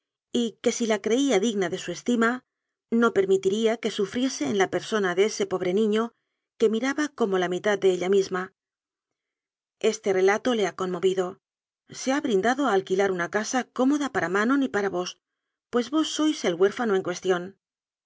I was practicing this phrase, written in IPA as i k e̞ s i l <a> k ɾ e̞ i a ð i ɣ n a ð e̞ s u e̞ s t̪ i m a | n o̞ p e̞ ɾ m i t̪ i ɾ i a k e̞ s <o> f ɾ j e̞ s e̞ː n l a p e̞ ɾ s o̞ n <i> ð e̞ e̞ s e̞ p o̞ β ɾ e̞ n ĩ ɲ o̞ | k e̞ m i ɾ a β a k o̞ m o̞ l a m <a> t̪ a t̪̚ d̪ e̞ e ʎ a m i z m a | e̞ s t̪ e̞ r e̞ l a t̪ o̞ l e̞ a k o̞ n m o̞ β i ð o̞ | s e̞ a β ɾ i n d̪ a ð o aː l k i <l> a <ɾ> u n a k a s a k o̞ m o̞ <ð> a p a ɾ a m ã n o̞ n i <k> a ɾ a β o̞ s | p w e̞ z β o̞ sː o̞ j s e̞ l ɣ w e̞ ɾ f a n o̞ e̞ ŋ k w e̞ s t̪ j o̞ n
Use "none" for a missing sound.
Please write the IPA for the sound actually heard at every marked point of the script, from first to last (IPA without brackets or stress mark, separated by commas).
a, u, a, i, l, ɾ, ð, p